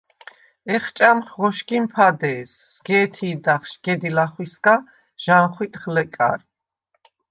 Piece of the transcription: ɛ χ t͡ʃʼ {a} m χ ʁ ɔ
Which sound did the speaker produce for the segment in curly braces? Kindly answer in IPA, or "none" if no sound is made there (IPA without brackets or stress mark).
a